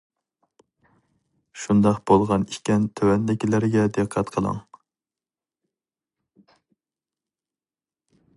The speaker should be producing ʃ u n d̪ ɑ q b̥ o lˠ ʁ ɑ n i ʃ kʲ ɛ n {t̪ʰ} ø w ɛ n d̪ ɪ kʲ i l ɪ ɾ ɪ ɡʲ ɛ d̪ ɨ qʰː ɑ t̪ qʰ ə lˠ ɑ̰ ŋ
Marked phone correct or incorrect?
correct